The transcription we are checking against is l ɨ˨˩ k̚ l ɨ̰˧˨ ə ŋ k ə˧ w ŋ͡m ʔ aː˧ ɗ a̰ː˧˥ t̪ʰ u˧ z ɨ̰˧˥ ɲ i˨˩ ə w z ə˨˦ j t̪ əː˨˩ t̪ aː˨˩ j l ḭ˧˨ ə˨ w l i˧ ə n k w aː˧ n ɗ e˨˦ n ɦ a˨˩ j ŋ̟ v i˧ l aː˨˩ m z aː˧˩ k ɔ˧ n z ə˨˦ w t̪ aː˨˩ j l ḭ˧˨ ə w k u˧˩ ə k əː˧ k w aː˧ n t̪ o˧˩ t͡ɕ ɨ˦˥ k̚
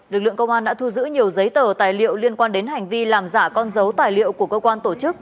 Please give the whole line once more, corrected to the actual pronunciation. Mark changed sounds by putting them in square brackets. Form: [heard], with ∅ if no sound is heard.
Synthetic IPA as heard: l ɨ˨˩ k̚ l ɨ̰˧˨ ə ŋ k ə˧ w ŋ͡m ʔ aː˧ ɗ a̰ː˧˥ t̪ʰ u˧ z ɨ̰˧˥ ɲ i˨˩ ə w z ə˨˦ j t̪ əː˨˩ t̪ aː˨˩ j l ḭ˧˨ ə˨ w l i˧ ə n k w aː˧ n ɗ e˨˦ n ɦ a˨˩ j ŋ̟ v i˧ l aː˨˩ m z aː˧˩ k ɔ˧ n z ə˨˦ w t̪ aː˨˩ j l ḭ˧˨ ə w k u˧˩ ə k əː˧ k w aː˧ n t̪ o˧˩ t͡ɕ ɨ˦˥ k̚